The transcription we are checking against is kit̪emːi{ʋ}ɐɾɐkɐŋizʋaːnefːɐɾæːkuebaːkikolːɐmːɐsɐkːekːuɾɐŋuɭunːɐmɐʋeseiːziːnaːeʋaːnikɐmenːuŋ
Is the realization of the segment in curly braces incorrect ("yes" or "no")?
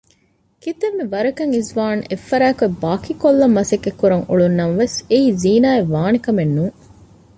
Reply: no